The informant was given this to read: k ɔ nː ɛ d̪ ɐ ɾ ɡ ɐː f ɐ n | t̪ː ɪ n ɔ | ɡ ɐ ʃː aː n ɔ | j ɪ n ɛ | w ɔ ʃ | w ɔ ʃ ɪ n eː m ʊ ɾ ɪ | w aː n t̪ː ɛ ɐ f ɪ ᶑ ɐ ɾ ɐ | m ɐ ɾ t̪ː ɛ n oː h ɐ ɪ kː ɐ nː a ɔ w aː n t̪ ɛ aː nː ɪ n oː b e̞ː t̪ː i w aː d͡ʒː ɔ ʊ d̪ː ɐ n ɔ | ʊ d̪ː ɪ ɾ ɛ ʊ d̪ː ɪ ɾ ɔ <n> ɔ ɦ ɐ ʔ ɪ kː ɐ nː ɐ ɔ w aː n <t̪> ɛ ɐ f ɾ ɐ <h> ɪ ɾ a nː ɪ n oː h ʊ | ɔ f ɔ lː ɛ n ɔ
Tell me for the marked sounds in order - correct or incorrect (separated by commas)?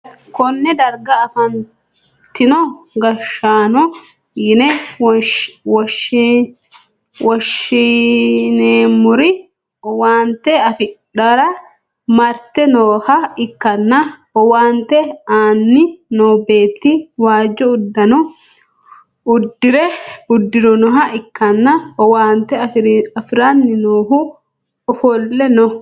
correct, correct, incorrect